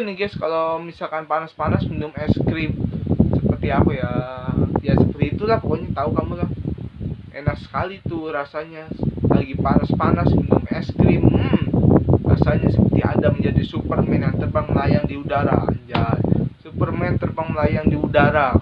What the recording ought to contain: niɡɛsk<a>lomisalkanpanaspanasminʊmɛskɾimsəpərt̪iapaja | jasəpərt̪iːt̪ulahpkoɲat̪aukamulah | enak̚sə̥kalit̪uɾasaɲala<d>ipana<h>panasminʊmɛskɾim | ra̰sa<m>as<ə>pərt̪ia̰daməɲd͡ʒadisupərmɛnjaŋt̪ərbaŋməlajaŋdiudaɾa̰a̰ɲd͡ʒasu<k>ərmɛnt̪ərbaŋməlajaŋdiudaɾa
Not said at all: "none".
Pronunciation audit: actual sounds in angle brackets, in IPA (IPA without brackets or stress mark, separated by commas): a, ɡ, s, ɲ, ə, p